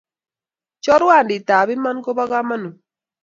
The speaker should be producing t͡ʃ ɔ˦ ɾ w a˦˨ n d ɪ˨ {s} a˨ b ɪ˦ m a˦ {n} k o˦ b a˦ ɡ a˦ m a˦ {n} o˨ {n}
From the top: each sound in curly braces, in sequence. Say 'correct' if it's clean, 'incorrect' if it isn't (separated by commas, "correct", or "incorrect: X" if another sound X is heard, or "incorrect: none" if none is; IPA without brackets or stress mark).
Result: incorrect: t, correct, correct, incorrect: none